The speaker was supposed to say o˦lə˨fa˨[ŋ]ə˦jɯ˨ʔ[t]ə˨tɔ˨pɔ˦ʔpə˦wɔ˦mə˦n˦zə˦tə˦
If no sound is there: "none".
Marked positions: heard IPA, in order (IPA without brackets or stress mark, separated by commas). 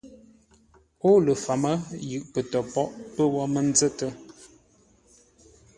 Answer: m, p